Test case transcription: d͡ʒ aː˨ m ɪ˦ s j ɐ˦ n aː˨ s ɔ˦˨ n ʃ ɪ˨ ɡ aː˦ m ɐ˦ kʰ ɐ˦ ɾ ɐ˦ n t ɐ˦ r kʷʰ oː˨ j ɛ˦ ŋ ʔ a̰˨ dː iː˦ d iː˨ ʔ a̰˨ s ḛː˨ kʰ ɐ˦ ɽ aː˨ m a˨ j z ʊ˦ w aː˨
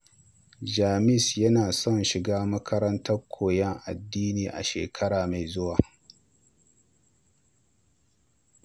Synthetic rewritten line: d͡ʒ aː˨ m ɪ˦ s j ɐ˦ n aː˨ s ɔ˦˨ n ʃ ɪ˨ ɡ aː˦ m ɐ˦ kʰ ɐ˦ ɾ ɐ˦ n t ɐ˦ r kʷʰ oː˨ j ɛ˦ ŋ ʔ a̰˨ dː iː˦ n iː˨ ʔ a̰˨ ʃ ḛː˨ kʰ ɐ˦ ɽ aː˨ m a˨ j z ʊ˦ w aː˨